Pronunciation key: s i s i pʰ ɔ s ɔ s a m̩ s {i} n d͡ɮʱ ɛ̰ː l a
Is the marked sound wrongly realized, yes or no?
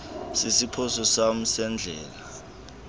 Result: yes